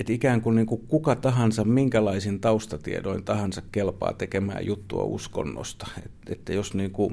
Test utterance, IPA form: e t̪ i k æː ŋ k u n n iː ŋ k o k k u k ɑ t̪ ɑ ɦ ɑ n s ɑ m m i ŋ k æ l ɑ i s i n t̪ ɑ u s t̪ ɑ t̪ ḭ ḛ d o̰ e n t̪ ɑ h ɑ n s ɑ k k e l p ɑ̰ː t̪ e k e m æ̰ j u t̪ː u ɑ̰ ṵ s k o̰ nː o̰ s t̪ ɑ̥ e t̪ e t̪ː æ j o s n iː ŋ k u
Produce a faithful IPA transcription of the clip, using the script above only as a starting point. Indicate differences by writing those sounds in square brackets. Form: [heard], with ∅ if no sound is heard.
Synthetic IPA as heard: e t̪ i k æː ŋ k u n n iː ŋ k [u] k k u k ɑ t̪ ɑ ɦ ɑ n s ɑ m m i ŋ k æ l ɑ i s i n t̪ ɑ u s t̪ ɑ t̪ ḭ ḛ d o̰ [i] n t̪ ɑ h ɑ n s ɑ k k e l p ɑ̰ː t̪ e k e m [æ̰ː] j u t̪ː u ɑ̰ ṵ s k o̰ nː o̰ s t̪ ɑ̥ e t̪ e t̪ː æ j o s n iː ŋ k u